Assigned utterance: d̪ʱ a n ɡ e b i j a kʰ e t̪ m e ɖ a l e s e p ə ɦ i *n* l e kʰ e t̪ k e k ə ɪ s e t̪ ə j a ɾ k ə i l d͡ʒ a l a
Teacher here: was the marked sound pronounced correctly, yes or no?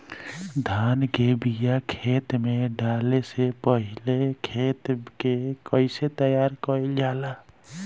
no